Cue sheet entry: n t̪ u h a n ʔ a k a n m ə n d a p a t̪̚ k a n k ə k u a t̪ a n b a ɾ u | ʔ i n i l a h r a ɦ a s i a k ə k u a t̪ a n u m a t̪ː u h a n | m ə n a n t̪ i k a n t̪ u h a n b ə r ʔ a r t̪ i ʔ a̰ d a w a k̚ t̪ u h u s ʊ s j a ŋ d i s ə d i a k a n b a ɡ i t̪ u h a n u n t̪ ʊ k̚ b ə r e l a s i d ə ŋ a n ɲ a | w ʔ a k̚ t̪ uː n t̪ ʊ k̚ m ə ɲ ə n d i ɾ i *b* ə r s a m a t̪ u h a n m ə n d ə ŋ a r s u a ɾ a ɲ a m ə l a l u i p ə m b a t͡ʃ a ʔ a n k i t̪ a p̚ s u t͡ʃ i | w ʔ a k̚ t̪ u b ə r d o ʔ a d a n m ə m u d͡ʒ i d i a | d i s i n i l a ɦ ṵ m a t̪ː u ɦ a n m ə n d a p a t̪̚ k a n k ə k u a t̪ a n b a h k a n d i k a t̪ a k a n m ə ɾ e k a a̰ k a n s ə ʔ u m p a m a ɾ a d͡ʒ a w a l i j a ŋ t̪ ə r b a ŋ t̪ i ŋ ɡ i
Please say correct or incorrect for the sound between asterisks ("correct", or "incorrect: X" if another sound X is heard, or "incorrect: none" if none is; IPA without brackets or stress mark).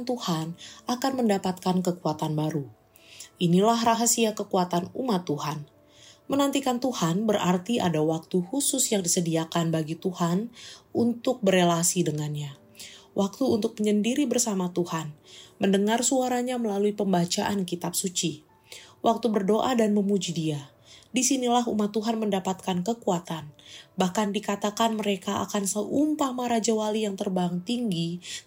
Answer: correct